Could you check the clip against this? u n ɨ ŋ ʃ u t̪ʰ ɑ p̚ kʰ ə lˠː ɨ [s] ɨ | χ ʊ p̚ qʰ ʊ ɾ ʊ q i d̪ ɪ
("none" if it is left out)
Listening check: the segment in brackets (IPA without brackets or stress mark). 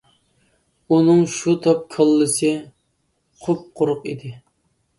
s